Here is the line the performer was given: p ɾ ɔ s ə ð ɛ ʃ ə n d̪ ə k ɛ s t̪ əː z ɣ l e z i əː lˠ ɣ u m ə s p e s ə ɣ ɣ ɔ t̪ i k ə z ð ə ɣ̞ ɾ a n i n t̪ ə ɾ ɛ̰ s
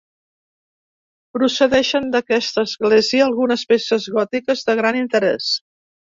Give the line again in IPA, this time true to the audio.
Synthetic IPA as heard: p ɾ u s ə ð ɛ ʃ ə n d̪ ə k ɛ s t̪ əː z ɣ l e z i əː lˠ ɣ u n ə s p e s ə z ɣ ɔ t̪ i k ə z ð ə ɣ̞ ɾ a n i n t̪ ə ɾ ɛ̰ s